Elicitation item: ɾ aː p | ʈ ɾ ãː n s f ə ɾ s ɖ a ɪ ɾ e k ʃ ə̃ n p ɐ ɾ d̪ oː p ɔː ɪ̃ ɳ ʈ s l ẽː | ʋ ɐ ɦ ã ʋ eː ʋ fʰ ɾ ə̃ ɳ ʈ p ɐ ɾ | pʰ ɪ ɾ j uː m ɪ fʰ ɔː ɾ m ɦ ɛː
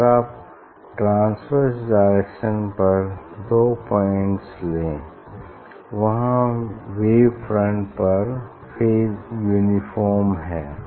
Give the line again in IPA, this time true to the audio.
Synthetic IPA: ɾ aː p | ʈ ɾ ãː n s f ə ɾ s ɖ a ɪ ɾ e k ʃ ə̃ n p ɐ ɾ d̪ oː p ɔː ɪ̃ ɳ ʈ s l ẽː | ʋ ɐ ɦ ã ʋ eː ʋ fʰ ɾ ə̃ ɳ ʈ p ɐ ɾ | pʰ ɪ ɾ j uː n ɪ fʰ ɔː ɾ m ɦ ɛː